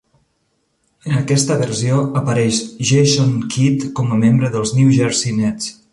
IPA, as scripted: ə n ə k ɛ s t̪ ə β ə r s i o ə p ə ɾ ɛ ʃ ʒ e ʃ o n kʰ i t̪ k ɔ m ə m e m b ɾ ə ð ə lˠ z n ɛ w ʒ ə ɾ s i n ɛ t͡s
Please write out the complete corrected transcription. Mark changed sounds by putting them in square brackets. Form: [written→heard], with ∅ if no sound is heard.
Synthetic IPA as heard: ə n ə k ɛ s t̪ ə β ə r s i o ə p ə ɾ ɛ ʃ ʒ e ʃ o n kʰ i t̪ k ɔ m ə m e m b ɾ ə ð ə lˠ z n [ɛ→i] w ʒ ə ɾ s i n ɛ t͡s